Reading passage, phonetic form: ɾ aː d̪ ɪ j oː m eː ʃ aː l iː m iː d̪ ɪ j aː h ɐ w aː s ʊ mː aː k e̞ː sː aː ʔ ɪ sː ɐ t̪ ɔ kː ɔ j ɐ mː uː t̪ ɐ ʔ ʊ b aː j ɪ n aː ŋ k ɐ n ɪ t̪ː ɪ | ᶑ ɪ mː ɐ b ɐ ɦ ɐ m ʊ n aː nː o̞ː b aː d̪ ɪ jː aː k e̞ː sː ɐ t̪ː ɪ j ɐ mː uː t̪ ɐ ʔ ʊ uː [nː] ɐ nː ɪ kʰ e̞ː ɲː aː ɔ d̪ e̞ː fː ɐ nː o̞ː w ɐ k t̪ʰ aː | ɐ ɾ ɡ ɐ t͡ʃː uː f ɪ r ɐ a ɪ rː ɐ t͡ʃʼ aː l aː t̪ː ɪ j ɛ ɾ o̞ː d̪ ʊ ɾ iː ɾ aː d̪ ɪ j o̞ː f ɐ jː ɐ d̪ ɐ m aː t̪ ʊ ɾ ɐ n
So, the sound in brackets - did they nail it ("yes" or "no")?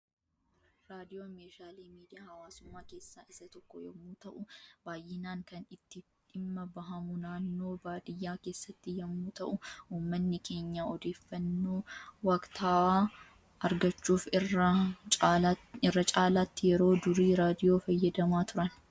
no